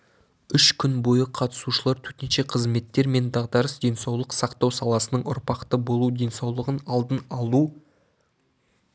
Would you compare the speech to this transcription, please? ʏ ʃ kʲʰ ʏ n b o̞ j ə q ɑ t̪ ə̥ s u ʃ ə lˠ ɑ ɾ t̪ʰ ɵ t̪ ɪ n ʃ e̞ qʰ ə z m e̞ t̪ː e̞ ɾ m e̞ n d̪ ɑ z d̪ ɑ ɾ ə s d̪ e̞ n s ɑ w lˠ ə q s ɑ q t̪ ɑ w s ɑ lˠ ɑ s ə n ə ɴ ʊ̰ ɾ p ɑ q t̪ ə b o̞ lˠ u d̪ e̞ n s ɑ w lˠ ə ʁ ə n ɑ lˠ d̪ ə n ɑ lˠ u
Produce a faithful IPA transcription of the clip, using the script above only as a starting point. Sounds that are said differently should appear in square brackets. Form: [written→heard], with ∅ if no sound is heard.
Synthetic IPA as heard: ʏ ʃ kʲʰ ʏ n b o̞ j ə [q→qʰ] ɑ t̪ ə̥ s u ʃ ə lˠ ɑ ɾ t̪ʰ ɵ t̪ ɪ n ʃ e̞ qʰ ə z m e̞ t̪ː e̞ ɾ m e̞ n d̪ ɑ [z→ʁ] d̪ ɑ ɾ ə s d̪ e̞ n s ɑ w lˠ ə q s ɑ q t̪ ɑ w s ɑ lˠ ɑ s ə n ə ɴ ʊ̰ ɾ p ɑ q t̪ ə b o̞ lˠ u d̪ e̞ n s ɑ w lˠ ə ʁ ə n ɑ lˠ d̪ ə n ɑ lˠ u

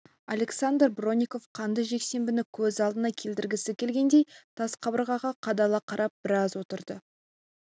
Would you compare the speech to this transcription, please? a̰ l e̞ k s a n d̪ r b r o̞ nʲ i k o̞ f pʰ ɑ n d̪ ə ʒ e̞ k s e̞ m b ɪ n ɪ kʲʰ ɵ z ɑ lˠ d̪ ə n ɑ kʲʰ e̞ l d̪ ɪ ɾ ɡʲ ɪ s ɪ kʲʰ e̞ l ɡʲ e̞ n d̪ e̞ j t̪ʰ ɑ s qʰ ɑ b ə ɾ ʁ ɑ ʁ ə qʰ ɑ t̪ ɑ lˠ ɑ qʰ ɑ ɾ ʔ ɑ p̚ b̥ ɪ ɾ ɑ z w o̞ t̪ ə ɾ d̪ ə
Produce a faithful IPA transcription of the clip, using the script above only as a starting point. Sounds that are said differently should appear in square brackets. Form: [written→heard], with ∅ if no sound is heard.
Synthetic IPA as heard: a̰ l e̞ k s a n d̪ r b r o̞ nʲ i k o̞ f [pʰ→qʰ] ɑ n d̪ ə ʒ e̞ k s e̞ m b ɪ n ɪ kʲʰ ɵ z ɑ lˠ d̪ ə n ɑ kʲʰ e̞ l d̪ ɪ ɾ ɡʲ ɪ s ɪ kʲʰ e̞ l ɡʲ e̞ n d̪ e̞ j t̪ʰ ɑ s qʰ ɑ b ə ɾ ʁ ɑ ʁ [ə→ɑ] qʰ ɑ [t̪→d̪] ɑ lˠ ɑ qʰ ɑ ɾ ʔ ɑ p̚ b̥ ɪ ɾ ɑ z w o̞ t̪ ə ɾ d̪ ə

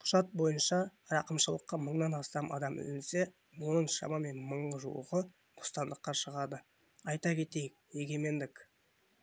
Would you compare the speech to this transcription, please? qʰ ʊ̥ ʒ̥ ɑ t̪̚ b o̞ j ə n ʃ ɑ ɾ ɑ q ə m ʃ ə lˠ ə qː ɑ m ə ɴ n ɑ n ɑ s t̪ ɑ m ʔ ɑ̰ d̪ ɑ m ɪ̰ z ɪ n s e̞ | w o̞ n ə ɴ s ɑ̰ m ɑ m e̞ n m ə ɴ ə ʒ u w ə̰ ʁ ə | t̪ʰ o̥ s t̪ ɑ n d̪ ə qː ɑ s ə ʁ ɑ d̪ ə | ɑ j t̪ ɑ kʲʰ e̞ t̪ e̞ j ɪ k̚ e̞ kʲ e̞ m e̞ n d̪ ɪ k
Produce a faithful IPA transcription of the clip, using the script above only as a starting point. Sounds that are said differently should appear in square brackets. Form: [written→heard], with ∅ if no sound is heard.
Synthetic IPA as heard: qʰ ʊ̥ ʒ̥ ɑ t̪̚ b o̞ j ə n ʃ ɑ ɾ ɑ q ə m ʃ ə lˠ ə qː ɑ m ə ɴ n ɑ n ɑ s t̪ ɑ m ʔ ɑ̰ d̪ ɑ m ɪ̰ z ɪ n s e̞ | w o̞ n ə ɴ [s→ʃ] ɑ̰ m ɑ m e̞ n m ə ɴ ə ʒ u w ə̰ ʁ ə | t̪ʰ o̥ s t̪ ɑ n d̪ ə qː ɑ [s→ʃ] ə ʁ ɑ d̪ ə | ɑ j t̪ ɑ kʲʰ e̞ t̪ e̞ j ɪ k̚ e̞ [kʲ→ɡʲ] e̞ m e̞ n d̪ ɪ k

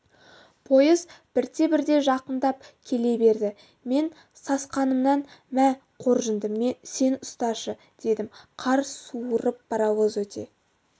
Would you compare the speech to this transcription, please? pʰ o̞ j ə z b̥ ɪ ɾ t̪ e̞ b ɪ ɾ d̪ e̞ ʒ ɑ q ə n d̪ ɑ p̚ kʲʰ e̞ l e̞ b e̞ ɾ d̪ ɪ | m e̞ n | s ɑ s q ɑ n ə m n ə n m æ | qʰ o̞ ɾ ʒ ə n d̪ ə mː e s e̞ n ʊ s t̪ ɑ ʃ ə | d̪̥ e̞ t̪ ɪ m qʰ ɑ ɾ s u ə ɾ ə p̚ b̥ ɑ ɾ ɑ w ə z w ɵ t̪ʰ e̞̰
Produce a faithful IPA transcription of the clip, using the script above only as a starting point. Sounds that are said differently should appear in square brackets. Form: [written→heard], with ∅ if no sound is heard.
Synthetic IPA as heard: pʰ o̞ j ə z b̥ ɪ ɾ t̪ e̞ b ɪ ɾ d̪ e̞ ʒ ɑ q ə n d̪ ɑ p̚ kʲʰ e̞ l e̞ b e̞ ɾ d̪ ɪ | m e̞ n | s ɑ s q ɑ n ə m n [ə→ɑ] n m æ | qʰ o̞ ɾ ʒ ə n d̪ ə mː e s e̞ n ʊ s t̪ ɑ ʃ ə | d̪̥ e̞ [t̪→d̪] ɪ m qʰ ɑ ɾ s u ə ɾ ə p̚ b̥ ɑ ɾ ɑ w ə z w ɵ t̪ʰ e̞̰

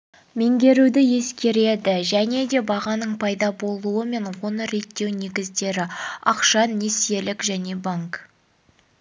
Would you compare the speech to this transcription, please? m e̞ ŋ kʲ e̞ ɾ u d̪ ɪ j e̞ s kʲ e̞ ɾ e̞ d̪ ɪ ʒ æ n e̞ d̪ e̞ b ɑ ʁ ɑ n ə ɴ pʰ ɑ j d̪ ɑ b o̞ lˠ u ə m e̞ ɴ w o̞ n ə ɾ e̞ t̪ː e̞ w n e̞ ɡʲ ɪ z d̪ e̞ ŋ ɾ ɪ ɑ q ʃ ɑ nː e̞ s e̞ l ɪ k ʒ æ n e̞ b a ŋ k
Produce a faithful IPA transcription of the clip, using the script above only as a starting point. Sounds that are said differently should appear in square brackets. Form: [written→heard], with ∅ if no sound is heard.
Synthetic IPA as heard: m e̞ ŋ [kʲ→ɡʲ] e̞ ɾ u d̪ ɪ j e̞ s kʲ e̞ ɾ e̞ d̪ ɪ ʒ æ n e̞ d̪ e̞ b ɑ ʁ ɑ n ə ɴ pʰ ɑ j d̪ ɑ b o̞ lˠ u ə m e̞ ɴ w o̞ n ə ɾ e̞ t̪ː e̞ w n e̞ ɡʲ ɪ z d̪ e̞ [ŋ→∅] ɾ ɪ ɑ q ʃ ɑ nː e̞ s e̞ l ɪ k ʒ æ n e̞ b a ŋ k

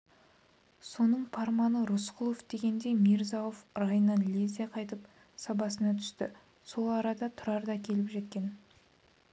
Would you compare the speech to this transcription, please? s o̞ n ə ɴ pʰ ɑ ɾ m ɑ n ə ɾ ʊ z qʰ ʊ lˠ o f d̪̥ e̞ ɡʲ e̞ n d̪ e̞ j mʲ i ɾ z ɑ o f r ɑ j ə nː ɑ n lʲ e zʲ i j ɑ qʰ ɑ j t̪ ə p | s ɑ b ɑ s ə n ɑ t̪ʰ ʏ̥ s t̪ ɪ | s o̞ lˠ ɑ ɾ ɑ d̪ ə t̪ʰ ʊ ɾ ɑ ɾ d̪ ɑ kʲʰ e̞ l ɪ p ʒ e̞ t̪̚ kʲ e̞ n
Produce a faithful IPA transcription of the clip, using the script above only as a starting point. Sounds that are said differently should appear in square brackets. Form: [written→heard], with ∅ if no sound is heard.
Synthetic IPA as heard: s o̞ n ə ɴ pʰ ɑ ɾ m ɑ n ə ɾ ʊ [z→s] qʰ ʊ lˠ o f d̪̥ e̞ ɡʲ e̞ n d̪ e̞ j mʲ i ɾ z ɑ o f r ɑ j ə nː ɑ n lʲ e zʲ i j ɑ qʰ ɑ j t̪ ə p | s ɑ b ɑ s ə n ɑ t̪ʰ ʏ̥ s t̪ ɪ | s o̞ lˠ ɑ ɾ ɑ d̪ [ə→ɑ] t̪ʰ ʊ ɾ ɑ ɾ d̪ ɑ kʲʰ e̞ l ɪ p ʒ e̞ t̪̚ kʲ e̞ n

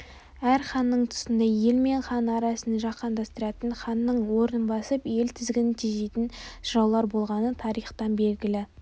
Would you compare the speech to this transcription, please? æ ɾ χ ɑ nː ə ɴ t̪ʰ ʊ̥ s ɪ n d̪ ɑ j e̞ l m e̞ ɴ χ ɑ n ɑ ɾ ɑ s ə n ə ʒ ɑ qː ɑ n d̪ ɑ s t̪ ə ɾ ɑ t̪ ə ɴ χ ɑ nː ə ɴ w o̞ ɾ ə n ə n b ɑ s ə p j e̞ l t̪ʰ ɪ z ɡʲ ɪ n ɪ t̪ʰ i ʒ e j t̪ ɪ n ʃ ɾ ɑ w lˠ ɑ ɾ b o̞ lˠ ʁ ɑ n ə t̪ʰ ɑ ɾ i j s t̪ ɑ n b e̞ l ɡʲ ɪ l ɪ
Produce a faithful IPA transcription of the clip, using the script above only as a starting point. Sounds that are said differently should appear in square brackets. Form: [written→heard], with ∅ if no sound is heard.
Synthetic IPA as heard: æ ɾ χ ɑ nː ə ɴ t̪ʰ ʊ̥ s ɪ n d̪ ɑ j e̞ l m e̞ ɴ χ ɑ n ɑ ɾ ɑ s ə n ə ʒ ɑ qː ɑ n d̪ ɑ s t̪ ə ɾ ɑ t̪ ə ɴ χ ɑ nː ə ɴ w o̞ ɾ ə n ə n b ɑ s ə p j e̞ l t̪ʰ ɪ z ɡʲ ɪ n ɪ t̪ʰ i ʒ e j t̪ ɪ n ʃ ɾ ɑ w lˠ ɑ ɾ b o̞ lˠ ʁ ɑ n ə t̪ʰ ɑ ɾ i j [s→χ] t̪ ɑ n b e̞ l ɡʲ ɪ l ɪ

